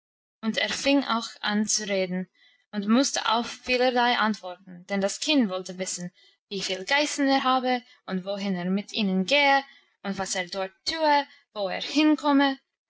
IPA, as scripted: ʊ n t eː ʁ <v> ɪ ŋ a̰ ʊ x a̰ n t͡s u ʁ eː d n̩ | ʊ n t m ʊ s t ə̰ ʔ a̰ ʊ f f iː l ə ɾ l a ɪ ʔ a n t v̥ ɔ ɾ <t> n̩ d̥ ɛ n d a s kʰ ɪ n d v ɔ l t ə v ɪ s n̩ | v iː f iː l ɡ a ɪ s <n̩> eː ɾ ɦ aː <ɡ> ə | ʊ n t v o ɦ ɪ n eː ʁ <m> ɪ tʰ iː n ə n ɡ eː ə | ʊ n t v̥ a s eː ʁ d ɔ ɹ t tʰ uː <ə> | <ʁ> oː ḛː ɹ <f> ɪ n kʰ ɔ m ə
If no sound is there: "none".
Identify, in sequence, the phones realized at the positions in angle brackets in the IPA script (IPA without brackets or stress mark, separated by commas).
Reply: f, t, n̩, b, m, ə, v, h